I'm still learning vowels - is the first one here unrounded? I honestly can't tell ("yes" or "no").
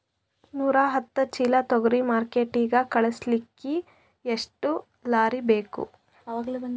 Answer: no